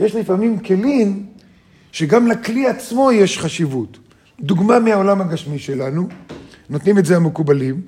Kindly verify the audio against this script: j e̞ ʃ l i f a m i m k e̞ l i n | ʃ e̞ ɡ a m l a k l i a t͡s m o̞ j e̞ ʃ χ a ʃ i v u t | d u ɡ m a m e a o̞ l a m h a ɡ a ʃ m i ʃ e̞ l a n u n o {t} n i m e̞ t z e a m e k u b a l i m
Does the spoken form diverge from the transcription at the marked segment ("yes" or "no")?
no